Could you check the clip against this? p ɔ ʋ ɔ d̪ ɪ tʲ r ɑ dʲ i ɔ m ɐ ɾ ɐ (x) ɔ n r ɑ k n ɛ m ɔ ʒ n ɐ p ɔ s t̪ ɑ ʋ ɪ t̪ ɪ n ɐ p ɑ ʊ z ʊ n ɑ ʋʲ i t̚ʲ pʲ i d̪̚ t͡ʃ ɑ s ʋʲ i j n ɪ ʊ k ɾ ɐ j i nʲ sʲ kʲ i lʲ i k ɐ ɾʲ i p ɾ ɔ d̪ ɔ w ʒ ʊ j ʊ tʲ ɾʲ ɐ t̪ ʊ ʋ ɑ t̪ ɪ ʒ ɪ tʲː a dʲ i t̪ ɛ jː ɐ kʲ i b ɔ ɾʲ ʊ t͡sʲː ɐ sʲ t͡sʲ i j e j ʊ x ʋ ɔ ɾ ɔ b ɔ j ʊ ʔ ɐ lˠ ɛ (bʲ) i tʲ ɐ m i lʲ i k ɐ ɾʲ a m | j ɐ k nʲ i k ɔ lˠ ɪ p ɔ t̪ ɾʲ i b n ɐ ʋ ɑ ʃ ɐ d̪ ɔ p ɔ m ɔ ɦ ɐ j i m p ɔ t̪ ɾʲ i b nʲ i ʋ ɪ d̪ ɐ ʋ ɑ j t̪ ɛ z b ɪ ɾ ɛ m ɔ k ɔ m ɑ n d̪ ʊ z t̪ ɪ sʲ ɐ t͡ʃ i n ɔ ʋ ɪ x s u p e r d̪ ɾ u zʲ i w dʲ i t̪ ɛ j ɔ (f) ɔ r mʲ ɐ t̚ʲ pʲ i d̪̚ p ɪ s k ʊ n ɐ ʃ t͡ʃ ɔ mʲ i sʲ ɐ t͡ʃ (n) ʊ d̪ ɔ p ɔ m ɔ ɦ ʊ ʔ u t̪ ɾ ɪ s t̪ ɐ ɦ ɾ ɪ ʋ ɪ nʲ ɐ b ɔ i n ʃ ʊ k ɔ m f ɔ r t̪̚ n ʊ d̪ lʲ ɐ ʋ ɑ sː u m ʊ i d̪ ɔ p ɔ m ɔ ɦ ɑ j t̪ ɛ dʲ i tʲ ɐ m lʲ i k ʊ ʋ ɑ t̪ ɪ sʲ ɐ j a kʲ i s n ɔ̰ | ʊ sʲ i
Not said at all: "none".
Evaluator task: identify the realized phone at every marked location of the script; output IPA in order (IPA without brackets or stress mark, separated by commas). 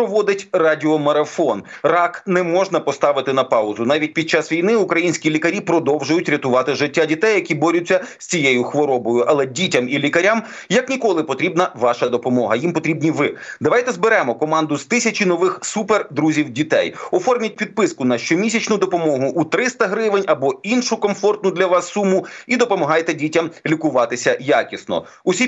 f, dʲ, f, n